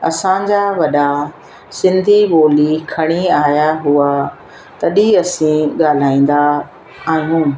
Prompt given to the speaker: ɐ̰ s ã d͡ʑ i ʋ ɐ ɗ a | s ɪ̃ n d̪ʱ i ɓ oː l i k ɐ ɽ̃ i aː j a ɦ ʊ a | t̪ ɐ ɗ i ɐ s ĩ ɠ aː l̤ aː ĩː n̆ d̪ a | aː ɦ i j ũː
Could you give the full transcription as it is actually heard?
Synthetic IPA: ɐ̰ s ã d͡ʑ a ʋ ɐ ɗ a | s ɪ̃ n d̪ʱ i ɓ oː l i kʰ ɐ ɽ̃ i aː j a ɦ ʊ a | t̪ ɐ ɗ i ɐ s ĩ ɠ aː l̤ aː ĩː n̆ d̪ a | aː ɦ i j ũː

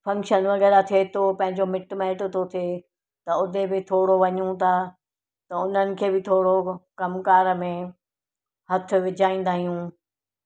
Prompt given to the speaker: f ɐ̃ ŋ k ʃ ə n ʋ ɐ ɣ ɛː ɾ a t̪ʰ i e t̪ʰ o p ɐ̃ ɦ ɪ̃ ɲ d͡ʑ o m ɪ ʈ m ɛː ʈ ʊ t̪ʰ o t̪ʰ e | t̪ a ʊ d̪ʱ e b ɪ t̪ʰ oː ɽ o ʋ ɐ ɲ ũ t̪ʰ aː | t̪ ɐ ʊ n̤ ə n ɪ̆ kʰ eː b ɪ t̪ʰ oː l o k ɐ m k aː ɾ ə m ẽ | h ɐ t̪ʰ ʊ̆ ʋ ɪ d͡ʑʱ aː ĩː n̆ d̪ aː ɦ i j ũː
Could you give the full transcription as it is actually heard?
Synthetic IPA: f ɐ̃ ŋ k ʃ ə n ʋ ɐ ɣ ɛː ɾ a t̪ʰ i e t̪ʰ o p ɐ̃ ɦ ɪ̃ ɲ d͡ʑ o m ɪ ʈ m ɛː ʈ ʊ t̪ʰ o t̪ʰ e | t̪ ɐ ʊ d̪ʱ e b ɪ t̪ʰ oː ɽ o ʋ ɐ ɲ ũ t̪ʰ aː | t̪ ɐ ʊ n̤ ə n ɪ̆ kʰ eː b ɪ t̪ʰ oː ɽ o k ɐ m k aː ɾ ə m ẽ | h ɐ t̪ʰ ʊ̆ ʋ ɪ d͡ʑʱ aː ĩː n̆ d̪ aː ɦ i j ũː

